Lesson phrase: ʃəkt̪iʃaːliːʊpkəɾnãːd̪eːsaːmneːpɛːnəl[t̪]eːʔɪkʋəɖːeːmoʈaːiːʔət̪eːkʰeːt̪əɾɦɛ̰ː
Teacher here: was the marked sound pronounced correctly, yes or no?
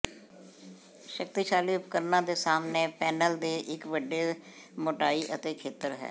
no